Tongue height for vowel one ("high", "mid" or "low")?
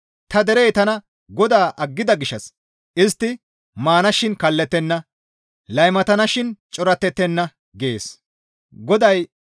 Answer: low